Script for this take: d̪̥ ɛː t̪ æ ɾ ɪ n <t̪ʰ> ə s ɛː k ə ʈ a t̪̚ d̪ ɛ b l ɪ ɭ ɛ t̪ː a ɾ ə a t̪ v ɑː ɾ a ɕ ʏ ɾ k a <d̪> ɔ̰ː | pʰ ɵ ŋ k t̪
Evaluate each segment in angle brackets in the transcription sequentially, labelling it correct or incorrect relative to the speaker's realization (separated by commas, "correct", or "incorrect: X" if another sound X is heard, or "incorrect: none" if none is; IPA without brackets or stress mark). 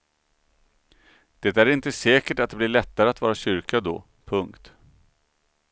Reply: incorrect: t̪, correct